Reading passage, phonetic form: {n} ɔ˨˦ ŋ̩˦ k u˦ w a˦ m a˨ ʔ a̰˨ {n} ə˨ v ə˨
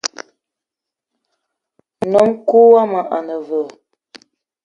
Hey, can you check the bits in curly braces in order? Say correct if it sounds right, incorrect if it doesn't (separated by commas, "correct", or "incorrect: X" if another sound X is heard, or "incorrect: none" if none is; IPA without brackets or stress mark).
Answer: correct, correct